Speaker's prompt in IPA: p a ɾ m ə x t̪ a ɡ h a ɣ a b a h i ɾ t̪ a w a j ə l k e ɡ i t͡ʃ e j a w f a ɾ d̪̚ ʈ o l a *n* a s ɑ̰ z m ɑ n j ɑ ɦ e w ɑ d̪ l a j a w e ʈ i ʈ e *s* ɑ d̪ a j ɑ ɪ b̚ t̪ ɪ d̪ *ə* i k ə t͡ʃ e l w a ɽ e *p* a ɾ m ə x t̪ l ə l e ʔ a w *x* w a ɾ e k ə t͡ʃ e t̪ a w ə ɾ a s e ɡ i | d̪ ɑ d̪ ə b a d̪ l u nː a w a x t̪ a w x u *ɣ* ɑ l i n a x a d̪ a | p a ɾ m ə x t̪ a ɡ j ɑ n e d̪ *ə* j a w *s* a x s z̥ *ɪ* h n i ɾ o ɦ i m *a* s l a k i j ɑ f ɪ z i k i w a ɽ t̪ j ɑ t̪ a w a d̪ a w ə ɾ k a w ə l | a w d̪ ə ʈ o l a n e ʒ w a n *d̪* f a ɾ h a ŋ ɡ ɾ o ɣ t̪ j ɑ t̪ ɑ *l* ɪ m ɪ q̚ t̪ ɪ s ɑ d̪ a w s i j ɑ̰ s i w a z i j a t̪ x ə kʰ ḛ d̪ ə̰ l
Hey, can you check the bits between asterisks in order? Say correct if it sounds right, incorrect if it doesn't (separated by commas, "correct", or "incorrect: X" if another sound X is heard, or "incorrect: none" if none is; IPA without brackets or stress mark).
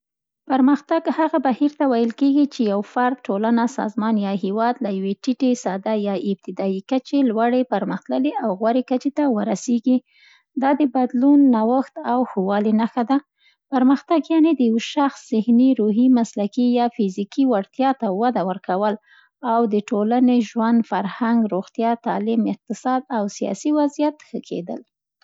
correct, correct, incorrect: ɑ, correct, incorrect: ɣ, incorrect: w, correct, incorrect: ʃ, correct, correct, correct, correct